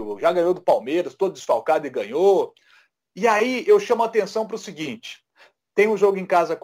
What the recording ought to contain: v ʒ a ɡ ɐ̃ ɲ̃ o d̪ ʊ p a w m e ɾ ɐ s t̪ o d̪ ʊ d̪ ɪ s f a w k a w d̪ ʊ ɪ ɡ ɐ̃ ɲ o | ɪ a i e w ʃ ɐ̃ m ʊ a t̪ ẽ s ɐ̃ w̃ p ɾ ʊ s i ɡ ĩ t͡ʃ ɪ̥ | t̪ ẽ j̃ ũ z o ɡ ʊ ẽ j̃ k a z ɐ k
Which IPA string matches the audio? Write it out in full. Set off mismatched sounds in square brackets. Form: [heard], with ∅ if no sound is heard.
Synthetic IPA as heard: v ʒ a ɡ ɐ̃ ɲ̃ o d̪ ʊ p a w m e ɾ ɐ s t̪ o d̪ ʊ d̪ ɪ s f a w k a [∅] d̪ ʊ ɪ ɡ ɐ̃ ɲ o | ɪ a i e w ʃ ɐ̃ m ʊ a t̪ ẽ s ɐ̃ w̃ p ɾ ʊ s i ɡ ĩ t͡ʃ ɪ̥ | t̪ ẽ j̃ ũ [ʒ] o ɡ ʊ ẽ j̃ k a z ɐ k